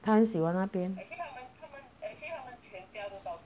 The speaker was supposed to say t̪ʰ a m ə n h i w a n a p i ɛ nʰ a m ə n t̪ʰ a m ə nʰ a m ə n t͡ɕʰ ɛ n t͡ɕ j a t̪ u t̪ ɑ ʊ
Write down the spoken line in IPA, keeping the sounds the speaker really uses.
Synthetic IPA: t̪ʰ a m ə n ɕ i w a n a p j ɛ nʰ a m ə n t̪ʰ a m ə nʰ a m ə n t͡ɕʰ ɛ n t͡ɕ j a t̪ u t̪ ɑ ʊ